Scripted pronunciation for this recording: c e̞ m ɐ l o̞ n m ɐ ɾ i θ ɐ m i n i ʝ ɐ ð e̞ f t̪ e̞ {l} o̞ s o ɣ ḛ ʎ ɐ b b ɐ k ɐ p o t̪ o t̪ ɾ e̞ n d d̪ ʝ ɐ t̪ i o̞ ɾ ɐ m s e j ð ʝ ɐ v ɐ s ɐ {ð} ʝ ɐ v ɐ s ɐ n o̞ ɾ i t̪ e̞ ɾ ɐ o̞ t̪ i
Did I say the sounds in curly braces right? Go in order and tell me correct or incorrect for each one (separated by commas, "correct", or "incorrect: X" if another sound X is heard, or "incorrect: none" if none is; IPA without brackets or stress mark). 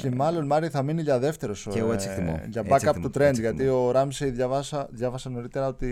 incorrect: ɾ, correct